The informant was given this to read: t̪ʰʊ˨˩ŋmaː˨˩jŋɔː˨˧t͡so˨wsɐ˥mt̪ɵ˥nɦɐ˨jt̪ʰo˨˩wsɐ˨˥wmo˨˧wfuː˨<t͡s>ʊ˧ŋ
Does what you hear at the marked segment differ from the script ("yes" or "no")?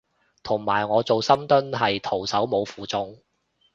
no